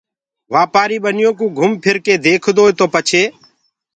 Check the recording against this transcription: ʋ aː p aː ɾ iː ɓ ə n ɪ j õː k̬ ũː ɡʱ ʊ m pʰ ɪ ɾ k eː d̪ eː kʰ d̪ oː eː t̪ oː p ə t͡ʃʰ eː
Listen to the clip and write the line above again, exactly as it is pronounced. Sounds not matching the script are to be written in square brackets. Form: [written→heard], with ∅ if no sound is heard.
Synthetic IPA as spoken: ʋ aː p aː ɾ iː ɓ ə n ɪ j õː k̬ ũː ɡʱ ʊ m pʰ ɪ ɾ k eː d̪ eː kʰ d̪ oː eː t̪ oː p ə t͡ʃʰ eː